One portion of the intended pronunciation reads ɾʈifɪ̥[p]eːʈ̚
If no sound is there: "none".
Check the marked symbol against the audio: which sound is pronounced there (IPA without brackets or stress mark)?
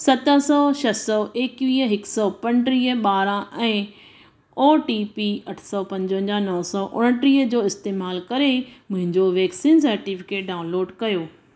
k